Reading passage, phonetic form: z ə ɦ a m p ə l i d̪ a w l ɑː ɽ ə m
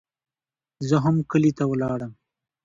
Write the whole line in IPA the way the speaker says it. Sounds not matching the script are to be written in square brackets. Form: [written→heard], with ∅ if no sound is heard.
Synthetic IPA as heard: z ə ɦ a m [p→k] ə l i [d̪→t̪] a w l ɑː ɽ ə m